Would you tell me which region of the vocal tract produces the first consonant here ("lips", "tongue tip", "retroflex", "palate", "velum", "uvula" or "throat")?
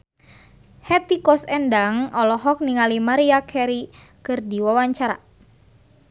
throat